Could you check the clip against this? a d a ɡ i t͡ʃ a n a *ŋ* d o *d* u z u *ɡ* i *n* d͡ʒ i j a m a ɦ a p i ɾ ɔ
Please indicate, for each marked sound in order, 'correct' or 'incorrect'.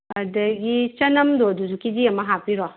incorrect: m, correct, incorrect: k, incorrect: none

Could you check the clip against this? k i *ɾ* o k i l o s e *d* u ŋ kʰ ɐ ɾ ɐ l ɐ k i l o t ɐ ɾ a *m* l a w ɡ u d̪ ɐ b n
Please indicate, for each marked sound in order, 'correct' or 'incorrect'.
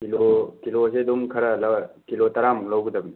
incorrect: l, correct, correct

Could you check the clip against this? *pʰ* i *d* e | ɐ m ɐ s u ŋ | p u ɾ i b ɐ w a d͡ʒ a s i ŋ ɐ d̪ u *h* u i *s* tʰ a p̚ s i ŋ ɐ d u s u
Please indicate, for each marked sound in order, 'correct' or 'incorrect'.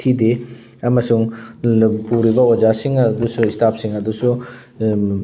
incorrect: tʰ, correct, incorrect: s, correct

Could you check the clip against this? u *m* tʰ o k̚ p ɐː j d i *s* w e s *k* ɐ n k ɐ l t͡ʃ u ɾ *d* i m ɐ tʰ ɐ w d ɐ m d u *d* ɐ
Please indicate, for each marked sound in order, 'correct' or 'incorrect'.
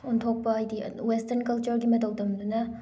incorrect: n, incorrect: none, incorrect: t, incorrect: ɡ, incorrect: n

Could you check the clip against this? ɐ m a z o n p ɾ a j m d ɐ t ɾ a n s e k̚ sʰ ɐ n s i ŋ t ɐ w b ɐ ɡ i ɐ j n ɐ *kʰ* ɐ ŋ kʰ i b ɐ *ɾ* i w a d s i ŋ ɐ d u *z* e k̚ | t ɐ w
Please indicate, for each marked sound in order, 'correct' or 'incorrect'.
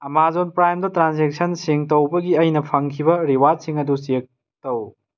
incorrect: pʰ, correct, incorrect: s

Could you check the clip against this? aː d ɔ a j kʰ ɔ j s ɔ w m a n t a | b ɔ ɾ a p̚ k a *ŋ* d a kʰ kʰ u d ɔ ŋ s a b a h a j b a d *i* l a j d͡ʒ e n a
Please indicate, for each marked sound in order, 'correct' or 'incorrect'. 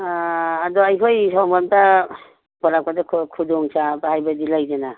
incorrect: none, correct

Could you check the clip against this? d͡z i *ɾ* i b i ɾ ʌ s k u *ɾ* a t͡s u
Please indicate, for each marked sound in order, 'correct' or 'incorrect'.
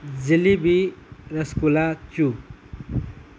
incorrect: l, incorrect: l

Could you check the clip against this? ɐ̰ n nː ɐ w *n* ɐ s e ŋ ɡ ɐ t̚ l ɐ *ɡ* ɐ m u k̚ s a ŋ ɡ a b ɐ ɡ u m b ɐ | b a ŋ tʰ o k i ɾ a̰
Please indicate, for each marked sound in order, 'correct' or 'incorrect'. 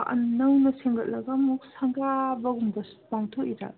correct, correct

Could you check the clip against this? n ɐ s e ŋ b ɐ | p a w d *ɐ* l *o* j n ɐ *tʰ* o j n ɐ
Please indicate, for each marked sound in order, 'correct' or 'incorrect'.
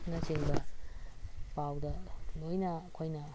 correct, correct, incorrect: kʰ

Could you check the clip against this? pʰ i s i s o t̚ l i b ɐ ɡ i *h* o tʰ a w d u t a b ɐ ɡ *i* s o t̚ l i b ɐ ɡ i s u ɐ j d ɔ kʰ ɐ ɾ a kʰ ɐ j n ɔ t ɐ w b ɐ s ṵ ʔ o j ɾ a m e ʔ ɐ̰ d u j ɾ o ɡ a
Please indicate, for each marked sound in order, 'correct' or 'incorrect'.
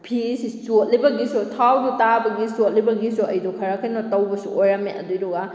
incorrect: s, correct

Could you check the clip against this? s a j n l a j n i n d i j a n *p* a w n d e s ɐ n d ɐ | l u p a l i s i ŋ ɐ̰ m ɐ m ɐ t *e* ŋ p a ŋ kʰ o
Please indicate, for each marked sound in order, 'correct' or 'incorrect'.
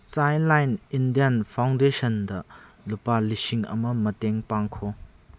incorrect: pʰ, correct

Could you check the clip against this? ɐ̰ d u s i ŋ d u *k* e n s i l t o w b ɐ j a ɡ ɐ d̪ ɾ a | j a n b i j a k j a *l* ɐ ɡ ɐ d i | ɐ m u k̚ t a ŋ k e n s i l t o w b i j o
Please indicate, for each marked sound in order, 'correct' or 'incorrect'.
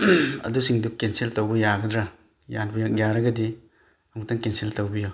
correct, incorrect: ɾ

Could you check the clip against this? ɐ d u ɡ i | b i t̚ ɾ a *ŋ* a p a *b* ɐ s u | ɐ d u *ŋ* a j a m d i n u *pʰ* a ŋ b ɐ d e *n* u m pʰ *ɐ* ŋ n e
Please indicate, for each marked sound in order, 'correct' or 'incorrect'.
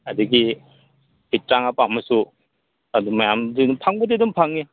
correct, incorrect: m, incorrect: m, correct, incorrect: d, incorrect: a

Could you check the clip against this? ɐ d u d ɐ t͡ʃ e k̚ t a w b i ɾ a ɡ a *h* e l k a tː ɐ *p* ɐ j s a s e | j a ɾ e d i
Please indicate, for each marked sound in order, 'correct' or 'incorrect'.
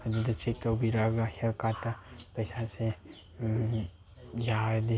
correct, correct

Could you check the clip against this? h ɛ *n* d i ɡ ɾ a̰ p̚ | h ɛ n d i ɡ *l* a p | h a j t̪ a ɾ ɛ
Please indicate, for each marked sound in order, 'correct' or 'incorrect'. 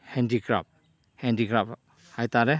correct, incorrect: ɾ

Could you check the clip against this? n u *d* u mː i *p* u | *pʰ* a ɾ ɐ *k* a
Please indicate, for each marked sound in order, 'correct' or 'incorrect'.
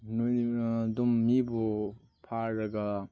correct, incorrect: b, correct, incorrect: ɡ

